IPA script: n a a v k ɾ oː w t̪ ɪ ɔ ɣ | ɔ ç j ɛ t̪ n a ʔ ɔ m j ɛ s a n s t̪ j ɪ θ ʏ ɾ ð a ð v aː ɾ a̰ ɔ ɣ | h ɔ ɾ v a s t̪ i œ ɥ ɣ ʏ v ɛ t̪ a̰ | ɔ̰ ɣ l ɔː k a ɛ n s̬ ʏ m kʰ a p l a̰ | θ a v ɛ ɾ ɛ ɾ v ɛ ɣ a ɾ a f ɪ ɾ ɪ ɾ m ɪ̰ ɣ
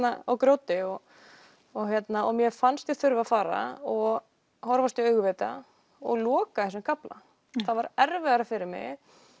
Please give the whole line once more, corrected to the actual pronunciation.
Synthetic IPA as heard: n a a w k ɾ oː w t̪ ɪ ɔ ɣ | ɔ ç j ɛ t̪ n a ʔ ɔ m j ɛ f a n s t̪ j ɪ θ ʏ ɾ v a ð f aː ɾ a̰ ɔ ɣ | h ɔ ɾ v a s t̪ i œ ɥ ɣ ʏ v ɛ t̪ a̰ | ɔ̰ ɣ l ɔː k a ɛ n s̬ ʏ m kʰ a p l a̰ | θ a v a ɾ ɛ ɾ v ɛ ɣ a ɾ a f ɪ ɾ ɪ ɾ m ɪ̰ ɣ